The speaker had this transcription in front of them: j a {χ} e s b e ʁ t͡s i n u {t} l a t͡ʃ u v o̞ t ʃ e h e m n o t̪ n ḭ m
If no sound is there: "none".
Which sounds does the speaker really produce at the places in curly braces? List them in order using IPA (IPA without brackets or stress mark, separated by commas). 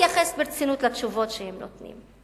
χ, t